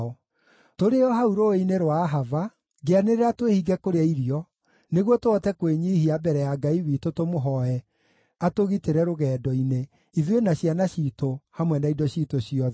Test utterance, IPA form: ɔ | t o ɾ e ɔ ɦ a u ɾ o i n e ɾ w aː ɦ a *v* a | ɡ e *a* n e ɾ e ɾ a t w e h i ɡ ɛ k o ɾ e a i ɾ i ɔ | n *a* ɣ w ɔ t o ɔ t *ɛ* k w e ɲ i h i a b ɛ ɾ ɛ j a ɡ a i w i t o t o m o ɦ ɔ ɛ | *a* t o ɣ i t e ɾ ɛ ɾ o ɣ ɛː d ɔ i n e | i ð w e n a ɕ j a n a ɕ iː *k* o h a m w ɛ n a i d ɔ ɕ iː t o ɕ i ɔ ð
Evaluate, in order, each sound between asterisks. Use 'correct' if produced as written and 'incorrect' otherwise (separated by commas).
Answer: correct, correct, incorrect, correct, correct, incorrect